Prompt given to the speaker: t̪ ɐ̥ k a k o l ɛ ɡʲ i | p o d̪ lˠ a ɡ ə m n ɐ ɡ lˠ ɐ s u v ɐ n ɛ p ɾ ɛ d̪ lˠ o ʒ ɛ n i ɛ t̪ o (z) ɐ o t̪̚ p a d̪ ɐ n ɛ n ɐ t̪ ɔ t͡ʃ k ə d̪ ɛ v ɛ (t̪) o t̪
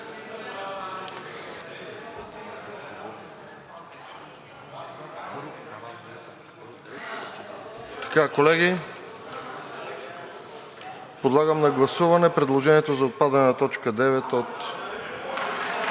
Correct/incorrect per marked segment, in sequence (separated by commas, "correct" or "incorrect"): correct, correct